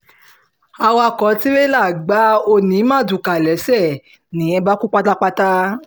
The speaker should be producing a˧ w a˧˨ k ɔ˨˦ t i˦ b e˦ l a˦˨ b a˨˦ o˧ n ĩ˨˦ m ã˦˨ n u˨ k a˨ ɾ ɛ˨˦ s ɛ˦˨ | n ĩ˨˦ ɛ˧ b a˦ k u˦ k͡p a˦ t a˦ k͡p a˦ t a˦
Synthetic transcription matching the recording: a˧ w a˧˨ k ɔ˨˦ t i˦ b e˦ l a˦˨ ɡ͡b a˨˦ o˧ n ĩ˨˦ m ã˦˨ d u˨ k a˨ l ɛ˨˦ s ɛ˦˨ | n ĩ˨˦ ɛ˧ b a˦ k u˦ k͡p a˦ t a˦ k͡p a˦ t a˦